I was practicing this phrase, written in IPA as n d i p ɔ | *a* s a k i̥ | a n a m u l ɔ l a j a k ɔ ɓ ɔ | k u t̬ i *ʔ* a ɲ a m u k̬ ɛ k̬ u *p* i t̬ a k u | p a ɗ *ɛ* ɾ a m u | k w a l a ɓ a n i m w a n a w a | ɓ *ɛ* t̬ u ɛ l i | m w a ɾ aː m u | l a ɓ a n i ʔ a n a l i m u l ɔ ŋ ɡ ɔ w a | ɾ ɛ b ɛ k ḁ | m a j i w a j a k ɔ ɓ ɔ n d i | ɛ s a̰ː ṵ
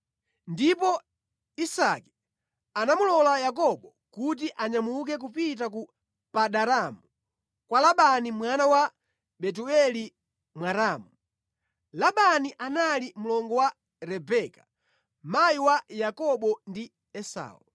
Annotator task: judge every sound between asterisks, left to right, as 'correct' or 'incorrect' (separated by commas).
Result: incorrect, correct, correct, incorrect, correct